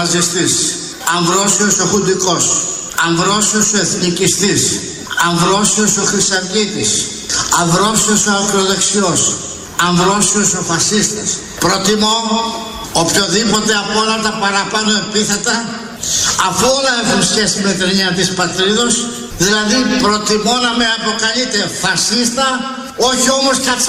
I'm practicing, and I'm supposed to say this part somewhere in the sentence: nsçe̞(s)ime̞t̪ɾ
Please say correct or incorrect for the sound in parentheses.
correct